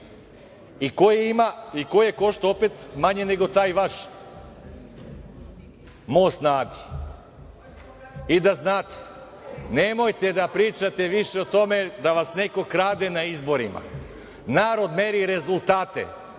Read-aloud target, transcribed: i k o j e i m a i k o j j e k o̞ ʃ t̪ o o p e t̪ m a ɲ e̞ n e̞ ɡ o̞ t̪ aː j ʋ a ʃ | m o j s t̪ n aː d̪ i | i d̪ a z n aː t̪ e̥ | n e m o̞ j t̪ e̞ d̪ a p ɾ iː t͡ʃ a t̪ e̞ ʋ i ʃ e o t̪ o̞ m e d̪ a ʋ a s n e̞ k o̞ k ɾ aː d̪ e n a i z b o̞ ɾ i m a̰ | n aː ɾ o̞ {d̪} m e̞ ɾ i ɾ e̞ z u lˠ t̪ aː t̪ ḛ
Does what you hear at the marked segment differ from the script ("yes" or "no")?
no